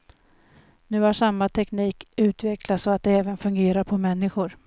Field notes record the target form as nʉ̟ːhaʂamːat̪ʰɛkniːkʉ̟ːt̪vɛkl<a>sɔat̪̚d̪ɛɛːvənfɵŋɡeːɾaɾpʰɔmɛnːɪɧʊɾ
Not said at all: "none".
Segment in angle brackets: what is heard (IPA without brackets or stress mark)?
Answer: a